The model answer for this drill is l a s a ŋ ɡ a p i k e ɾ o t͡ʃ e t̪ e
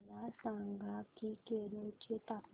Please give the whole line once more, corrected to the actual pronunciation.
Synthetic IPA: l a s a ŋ ɡ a k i k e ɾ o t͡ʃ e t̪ a